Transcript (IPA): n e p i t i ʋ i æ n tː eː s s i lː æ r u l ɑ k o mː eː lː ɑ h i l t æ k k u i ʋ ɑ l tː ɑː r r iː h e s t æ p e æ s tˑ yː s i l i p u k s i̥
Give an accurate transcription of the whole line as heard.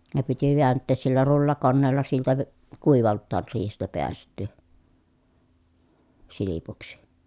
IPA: n e p i t i ʋ i æ n tː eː s s i lː æ r u lː ɑ k o nː eː lː ɑ s i l t æ k k u i ʋ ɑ l tː ɑː r r iː h e s t æ p e æ s tˑ yː s i l i p u k s i̥

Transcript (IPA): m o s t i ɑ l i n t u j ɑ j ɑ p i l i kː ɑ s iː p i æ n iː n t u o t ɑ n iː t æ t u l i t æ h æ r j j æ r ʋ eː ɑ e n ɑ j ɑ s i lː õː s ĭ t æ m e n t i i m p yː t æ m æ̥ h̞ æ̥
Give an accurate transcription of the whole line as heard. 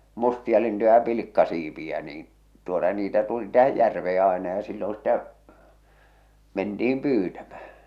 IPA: m u s t i ɑ l i n t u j ɑ j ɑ p i l i kː ɑ s iː p i æ n iː n t u o t ɑ n iː t æ t u l i t æ h æ j j æ r ʋ eː ɑ e n ɑ j ɑ s i lː õː s ĭ t æ m e n t i i m p yː t æ m æ̥ h̞ æ̥

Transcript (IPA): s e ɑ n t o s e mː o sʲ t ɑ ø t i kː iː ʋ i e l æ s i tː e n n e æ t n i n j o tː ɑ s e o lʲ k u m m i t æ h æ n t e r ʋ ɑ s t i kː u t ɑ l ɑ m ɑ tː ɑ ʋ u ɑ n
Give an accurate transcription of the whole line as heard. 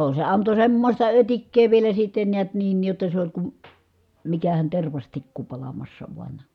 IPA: s e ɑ n t o s e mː o sʲ t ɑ ø t i kː eː ʋ i e l æ s i tː e n n i æ t n iː n j o tː ɑ s e o lʲ k u m m i k æ h æ n t e r ʋ ɑ s t i kː u p ɑ l ɑ m ɑ sː ɑ ʋ u ɑ n

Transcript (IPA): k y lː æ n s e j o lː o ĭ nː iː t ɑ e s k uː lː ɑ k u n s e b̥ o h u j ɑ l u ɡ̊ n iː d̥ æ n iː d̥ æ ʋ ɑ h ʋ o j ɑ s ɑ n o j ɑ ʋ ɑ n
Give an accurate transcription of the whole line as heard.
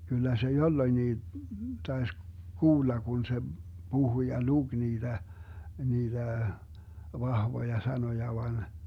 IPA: k y lː æ s e j o lː o ĭ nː iː t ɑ e s k uː lː ɑ k u n s e b̥ u h u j ɑ l u ɡ̊ n iː d̥ æ n iː d̥ æ ʋ ɑ h ʋ o j ɑ s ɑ n o j ɑ ʋ ɑ n

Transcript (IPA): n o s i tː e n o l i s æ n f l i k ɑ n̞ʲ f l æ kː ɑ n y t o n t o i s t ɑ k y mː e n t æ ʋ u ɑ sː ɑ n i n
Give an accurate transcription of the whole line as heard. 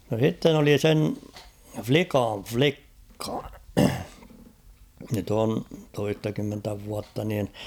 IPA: n o s i tː e n o l i s e n f l i k ɑ n̞ʲ f l i kː ɑ n y t o n t o i s t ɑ k y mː e n t æ ʋ u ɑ tː ɑ n iː n

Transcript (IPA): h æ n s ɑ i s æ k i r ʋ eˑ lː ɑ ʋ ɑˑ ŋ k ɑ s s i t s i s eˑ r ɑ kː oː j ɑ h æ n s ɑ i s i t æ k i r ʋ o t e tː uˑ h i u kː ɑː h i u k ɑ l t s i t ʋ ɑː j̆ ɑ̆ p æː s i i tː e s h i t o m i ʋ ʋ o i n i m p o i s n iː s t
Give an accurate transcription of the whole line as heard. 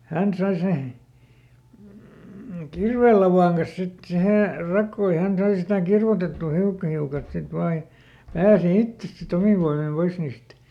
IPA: h æ n s ɑ i s e k i r ʋ eˑ lː ɑ ʋ ɑˑ ŋ k ɑ s s i t s i h eˑ r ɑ kː oː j ɑ h æ n s ɑ i s i t æ k i r ʋ o t e tː uˑ h i u kː ɑ h i u k ɑ l t s i t ʋ ɑː j̆ ɑ̆ p æː s i i tː e s s i t o m i ʋ ʋ o i m i m p o i s n iː s t

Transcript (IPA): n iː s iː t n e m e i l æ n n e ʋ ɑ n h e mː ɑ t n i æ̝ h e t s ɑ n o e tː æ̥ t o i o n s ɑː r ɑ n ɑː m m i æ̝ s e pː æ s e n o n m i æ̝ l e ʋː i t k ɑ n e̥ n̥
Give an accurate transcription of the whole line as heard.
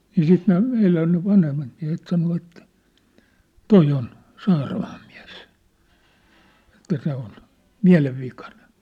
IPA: n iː s iː t n e m e i l æ n n e ʋ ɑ n h e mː ɑ t m i æ̝ h e t s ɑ n o e tː æ̥ t o i o n s ɑː r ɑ m ɑː m m i æ̝ s e tː æ s e o n m i æ̝ l e ʋː i k ɑ n e̥ n̥

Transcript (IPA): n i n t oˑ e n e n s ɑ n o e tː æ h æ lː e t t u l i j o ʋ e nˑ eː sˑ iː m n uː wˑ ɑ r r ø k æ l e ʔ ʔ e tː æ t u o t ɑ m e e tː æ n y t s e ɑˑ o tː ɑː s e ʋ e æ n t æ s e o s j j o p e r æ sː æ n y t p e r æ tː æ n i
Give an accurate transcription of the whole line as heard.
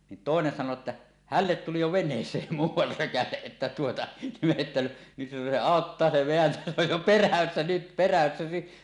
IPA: n i n t oˑ e n e n s ɑ n o e tː æ h æ lː e t t u l i j o ʋ e nˑ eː sˑ eː m m uː wˑ ɑ r r ø k æ l e ʔ ʔ e tː æ t u o t ɑ m e e tː æ n y t s e ɑˑ o tː ɑː s e ʋ e æ n t æ s e o j j o p e r æ sː æ n y t p e r æ sː æ n i

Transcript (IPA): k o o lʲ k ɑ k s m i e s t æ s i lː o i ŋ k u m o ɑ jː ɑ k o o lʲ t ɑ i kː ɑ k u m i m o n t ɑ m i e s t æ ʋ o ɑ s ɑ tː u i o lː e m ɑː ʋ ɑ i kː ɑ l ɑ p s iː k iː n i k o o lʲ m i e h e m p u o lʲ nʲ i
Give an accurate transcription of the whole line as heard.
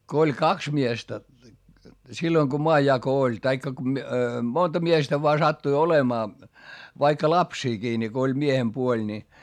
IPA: k o o lʲ k ɑ k s m i e s t æ s i lː o i ŋ k o m o ɑ jː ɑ k o o lʲ t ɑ i kː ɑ k u m i m o n t ɑ m i e s t æ ʋ o ɑ s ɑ tː u i o l e m ɑː ʋ ɑ i kː ɑ l ɑ p s iː k iː n i k o o lʲ m i e h e m p u o lʲ nʲ i

